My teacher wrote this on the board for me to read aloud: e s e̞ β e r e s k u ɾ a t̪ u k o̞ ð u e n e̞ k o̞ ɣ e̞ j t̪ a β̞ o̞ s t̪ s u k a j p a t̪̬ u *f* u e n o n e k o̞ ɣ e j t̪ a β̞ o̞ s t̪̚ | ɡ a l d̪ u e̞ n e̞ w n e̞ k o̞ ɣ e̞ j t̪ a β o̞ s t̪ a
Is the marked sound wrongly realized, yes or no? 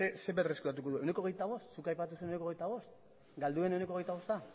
yes